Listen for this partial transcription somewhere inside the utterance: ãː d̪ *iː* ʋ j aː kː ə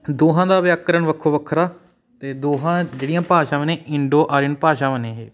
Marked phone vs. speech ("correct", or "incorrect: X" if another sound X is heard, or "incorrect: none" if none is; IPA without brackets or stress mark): incorrect: aː